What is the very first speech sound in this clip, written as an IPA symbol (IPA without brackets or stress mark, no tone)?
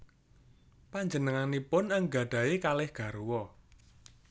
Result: p